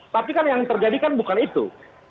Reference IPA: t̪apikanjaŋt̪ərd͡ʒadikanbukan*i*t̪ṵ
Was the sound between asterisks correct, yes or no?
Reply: yes